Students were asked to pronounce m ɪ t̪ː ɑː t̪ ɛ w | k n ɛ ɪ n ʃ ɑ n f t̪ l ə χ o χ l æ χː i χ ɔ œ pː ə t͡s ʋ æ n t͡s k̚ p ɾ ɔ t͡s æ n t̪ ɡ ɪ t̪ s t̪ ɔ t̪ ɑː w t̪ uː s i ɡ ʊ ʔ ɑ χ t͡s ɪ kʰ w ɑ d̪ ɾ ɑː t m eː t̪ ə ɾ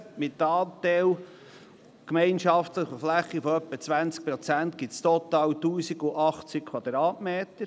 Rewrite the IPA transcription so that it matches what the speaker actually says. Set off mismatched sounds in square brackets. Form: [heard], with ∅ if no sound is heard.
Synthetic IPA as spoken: m ɪ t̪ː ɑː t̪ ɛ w | k [m] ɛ ɪ n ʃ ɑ [∅] f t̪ l ə χ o [f] l æ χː i [f] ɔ œ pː ə t͡s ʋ æ n t͡s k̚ p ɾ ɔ t͡s æ n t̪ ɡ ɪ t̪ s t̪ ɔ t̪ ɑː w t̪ uː s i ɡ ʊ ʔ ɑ χ t͡s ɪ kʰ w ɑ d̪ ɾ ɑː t m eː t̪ ə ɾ